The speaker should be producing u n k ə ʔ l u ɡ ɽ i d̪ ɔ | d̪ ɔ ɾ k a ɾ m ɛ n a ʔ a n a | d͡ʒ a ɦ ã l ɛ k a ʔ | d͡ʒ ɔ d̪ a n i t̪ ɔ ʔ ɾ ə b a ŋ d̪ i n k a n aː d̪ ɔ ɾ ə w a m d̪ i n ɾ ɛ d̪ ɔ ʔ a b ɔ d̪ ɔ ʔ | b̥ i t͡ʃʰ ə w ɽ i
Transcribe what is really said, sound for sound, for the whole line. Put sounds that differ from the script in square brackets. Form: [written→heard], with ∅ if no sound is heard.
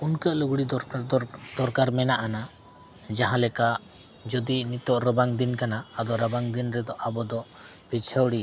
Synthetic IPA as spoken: u n k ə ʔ l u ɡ ɽ i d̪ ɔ | d̪ ɔ ɾ k a ɾ m ɛ n a ʔ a n a | d͡ʒ a ɦ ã l ɛ k a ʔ | d͡ʒ ɔ d̪ [a→i] n i t̪ ɔ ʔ ɾ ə b a ŋ d̪ i n k a n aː d̪ ɔ ɾ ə [w→b] a [m→ŋ] d̪ i n ɾ ɛ d̪ ɔ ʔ a b ɔ d̪ ɔ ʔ | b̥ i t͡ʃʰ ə w ɽ i

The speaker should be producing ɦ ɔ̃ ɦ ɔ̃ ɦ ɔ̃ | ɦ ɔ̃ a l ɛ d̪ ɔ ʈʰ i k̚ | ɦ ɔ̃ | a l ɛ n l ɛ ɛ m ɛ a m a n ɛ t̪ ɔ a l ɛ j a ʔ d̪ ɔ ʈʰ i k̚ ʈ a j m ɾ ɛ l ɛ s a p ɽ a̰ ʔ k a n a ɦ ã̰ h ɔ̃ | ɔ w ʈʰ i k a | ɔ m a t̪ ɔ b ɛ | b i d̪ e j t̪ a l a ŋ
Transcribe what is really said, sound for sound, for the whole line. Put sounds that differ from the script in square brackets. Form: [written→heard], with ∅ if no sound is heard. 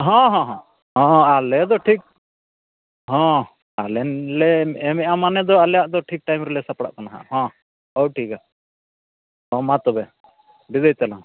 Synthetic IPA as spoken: ɦ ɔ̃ ɦ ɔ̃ ɦ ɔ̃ | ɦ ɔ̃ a l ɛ d̪ ɔ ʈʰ i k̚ | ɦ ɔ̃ | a l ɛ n l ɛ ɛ m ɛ a m a n ɛ [t̪→d̪] ɔ a l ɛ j a ʔ d̪ ɔ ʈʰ i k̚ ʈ a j m ɾ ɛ l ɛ s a p ɽ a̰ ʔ k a n a ɦ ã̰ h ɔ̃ | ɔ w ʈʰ i k a | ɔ m a t̪ ɔ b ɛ | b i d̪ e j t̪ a l a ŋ

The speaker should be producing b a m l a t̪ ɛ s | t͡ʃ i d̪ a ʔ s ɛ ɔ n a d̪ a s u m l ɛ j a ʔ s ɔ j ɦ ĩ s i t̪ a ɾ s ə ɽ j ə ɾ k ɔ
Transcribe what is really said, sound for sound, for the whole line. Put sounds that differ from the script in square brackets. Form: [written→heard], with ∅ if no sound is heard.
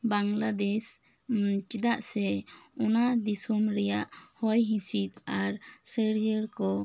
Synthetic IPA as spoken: b a [m→ŋ] l a [t̪→d̪] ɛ s | t͡ʃ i d̪ a ʔ s ɛ ɔ n a d̪ [a→i] s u m [l→ɾ] ɛ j a ʔ [s→h] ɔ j ɦ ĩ s i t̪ a ɾ s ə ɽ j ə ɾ k ɔ

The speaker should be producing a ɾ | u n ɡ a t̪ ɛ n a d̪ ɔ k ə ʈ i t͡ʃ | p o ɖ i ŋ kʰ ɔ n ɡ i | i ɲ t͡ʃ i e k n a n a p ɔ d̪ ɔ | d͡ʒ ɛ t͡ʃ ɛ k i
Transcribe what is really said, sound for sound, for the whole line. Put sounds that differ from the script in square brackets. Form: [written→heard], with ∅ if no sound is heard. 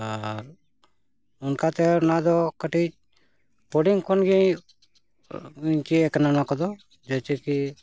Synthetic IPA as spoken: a ɾ | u n [ɡ→k] a t̪ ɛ n a d̪ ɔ k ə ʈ i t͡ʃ | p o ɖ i ŋ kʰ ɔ n ɡ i | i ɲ t͡ʃ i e k n a n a [p→k] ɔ d̪ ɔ | d͡ʒ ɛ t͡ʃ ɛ k i

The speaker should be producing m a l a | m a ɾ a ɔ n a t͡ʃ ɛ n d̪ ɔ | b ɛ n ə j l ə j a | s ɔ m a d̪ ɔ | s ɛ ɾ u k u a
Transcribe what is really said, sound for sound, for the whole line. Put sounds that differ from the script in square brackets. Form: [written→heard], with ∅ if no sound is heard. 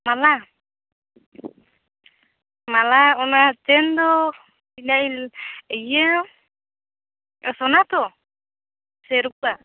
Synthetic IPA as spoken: m a l a | m a [ɾ→l] a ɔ n a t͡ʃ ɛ n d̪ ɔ | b [ɛ→i] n [ə→a] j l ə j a | s ɔ [m→n] a [d̪→t̪] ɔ | s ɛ ɾ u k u a

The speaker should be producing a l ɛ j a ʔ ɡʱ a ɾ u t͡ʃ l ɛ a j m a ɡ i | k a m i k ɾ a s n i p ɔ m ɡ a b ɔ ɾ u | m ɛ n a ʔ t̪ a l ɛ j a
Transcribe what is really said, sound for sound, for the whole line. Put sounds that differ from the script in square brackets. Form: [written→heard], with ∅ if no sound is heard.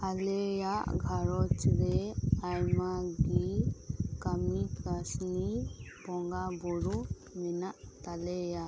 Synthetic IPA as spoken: a l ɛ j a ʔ ɡʱ a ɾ [u→ɔ] t͡ʃ [l→ɾ] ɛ a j m a ɡ i | k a m i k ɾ a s n i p ɔ [m→ŋ] ɡ a b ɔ ɾ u | m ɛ n a ʔ t̪ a l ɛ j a

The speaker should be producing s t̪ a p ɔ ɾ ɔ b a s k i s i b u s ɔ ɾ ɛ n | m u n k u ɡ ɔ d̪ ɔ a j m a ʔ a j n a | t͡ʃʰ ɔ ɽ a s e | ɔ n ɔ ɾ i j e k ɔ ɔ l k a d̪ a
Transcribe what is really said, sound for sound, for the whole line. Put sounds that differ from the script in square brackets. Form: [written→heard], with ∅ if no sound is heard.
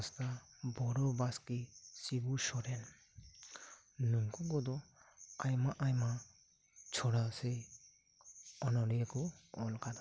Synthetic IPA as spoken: s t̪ a [p→b] ɔ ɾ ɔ b a s k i s i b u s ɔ ɾ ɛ n | [m→n] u [n→ŋ] k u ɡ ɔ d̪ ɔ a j m a ʔ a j [n→m] a | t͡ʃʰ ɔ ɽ a s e | ɔ n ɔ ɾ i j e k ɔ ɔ l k a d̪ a

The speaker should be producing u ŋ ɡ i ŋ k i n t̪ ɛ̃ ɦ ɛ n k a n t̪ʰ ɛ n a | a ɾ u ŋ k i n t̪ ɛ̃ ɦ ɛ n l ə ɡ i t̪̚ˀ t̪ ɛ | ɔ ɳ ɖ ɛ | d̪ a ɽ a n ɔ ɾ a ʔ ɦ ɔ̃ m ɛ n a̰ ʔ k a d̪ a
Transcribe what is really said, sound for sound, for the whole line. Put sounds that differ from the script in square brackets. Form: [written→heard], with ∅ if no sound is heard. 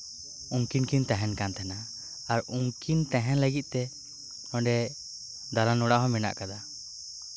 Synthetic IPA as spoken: u ŋ [ɡ→k] i [ŋ→n] k i n t̪ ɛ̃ ɦ ɛ n k a n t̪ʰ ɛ n a | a ɾ u ŋ k i n t̪ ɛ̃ ɦ ɛ n l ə ɡ i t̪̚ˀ t̪ ɛ | ɔ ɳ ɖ ɛ | d̪ a [ɽ→l] a n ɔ [ɾ→ɽ] a ʔ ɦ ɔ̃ m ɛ n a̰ ʔ k a d̪ a

